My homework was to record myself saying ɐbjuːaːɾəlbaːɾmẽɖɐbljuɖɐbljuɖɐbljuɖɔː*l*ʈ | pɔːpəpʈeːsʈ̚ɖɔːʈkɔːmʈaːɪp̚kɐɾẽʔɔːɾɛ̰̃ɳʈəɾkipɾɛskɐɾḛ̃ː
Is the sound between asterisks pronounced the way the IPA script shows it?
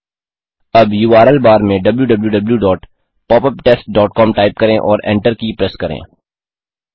no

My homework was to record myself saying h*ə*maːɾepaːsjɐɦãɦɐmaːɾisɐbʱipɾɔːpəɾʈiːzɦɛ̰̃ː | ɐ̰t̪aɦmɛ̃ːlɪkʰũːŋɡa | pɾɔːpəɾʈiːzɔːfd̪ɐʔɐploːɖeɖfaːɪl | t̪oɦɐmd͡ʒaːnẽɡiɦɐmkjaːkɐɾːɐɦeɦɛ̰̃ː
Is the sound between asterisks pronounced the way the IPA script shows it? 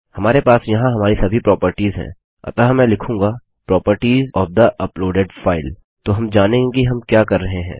no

